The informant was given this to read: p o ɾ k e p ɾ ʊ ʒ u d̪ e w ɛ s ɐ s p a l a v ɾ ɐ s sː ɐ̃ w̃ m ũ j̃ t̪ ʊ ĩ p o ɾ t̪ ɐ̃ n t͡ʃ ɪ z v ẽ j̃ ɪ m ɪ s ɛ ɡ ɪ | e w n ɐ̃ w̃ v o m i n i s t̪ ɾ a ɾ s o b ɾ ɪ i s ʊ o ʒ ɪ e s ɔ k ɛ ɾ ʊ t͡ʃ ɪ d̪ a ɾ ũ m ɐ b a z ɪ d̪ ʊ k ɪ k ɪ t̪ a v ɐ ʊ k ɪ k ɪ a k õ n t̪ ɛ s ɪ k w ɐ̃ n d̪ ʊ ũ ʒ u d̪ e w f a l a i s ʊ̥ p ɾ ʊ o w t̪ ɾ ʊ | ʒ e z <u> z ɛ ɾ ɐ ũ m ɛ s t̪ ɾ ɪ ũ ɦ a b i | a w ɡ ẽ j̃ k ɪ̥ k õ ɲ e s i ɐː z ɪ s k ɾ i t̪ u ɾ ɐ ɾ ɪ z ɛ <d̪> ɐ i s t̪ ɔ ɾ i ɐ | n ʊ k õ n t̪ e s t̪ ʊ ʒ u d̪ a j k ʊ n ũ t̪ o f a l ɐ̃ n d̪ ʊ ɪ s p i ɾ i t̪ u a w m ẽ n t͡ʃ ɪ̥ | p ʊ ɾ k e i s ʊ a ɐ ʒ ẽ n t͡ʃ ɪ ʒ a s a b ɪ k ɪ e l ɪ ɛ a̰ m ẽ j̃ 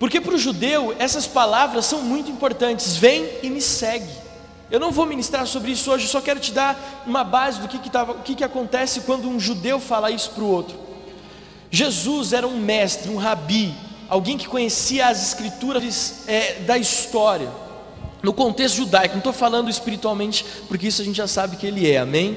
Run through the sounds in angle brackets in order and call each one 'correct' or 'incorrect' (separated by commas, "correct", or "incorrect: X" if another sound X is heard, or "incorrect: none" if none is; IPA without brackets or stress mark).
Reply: correct, correct